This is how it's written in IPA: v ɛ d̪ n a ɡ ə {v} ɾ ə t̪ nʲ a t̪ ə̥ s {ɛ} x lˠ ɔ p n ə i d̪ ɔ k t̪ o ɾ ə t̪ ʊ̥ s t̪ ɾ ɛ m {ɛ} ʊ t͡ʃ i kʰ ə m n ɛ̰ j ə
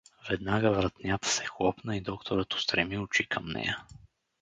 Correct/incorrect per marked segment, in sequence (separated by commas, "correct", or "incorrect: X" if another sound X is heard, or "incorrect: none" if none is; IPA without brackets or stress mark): correct, correct, incorrect: i